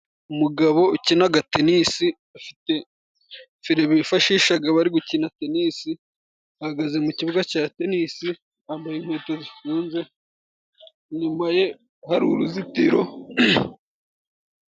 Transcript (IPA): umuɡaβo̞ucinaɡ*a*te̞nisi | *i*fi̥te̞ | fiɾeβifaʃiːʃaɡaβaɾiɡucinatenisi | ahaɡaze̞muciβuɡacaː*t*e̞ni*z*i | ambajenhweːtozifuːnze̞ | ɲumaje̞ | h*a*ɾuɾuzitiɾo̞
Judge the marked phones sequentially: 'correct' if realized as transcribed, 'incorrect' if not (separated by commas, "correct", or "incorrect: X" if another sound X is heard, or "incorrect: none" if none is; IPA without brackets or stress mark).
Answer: correct, incorrect: a, correct, incorrect: s, correct